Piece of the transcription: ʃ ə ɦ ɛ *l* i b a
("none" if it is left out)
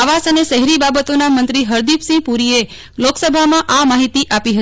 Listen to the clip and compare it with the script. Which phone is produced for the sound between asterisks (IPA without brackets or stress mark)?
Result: ɾ